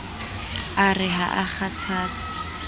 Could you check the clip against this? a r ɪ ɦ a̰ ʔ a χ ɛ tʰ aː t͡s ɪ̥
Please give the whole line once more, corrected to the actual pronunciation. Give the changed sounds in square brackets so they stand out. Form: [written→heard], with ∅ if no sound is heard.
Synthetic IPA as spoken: a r ɪ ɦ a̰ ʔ a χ [ɛ→a] tʰ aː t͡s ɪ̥